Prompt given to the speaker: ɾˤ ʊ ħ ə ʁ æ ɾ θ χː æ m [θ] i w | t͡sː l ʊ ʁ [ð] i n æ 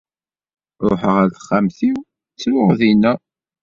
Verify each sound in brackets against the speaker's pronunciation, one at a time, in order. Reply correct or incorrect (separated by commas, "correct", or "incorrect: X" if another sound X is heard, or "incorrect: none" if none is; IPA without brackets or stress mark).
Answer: correct, correct